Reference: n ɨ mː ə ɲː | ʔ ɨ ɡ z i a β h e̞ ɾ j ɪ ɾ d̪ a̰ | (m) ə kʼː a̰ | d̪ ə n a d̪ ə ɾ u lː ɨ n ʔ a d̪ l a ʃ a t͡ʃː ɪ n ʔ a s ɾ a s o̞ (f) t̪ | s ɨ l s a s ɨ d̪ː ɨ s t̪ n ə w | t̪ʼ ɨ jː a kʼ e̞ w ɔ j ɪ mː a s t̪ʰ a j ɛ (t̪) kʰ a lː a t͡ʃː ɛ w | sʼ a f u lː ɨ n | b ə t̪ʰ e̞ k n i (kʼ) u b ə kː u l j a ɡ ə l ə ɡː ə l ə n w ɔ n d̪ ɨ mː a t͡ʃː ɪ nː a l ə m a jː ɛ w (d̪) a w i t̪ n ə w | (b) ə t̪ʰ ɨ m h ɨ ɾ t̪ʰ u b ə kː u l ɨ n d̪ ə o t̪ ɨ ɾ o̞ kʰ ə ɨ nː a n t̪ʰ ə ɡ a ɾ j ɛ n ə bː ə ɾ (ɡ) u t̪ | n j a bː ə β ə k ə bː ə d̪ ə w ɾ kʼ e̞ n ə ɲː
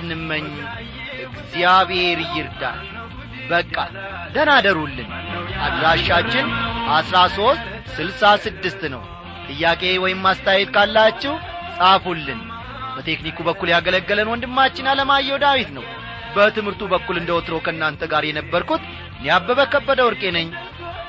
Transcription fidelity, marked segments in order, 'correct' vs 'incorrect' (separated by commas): incorrect, incorrect, correct, incorrect, correct, correct, incorrect